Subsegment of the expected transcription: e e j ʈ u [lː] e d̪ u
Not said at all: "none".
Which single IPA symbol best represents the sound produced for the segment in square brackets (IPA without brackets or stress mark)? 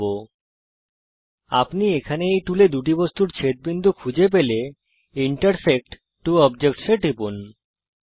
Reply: l